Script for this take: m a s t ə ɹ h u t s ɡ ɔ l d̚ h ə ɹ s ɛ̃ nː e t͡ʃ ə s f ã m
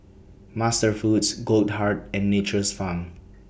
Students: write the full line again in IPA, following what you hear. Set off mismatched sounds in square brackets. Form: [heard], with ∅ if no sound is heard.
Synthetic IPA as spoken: m a s t ə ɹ [f] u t s ɡ [o] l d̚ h [a] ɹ [t] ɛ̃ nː e t͡ʃ ə s f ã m